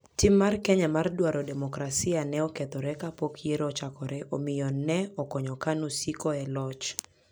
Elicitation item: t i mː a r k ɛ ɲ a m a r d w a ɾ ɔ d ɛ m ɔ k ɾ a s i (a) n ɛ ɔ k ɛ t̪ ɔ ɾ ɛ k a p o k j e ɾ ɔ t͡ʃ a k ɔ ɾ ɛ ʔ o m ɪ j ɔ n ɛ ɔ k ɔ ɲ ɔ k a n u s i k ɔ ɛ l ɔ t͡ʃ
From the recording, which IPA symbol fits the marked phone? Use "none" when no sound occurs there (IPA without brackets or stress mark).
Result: a